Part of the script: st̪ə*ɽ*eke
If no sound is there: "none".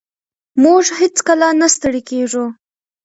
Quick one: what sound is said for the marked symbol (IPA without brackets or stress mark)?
ɽ